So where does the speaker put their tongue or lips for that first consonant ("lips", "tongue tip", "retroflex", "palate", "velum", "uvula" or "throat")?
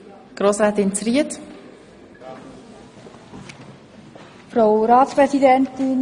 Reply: velum